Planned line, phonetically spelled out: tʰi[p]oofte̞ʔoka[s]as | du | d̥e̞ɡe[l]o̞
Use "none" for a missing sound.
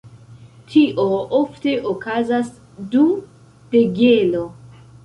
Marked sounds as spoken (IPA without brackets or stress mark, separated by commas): ʔ, z, l